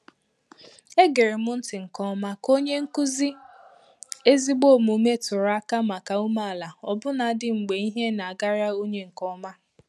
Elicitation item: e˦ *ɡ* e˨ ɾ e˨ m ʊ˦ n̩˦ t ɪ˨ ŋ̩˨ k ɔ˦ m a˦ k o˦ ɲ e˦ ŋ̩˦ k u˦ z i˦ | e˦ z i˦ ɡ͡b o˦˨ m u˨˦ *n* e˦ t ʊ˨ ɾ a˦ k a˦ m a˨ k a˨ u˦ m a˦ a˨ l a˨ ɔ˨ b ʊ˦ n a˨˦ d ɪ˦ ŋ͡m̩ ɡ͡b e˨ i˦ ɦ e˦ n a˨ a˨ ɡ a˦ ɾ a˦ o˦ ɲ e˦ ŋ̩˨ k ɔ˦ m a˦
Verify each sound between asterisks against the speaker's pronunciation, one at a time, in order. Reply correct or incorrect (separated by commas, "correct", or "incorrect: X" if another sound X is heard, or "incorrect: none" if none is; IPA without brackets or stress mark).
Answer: correct, incorrect: m